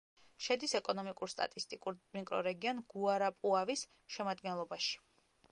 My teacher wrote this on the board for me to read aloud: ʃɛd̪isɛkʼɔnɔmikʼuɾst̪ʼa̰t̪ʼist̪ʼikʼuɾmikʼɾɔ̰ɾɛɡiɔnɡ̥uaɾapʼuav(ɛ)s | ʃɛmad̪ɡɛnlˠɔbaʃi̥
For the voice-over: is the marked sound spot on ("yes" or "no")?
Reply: no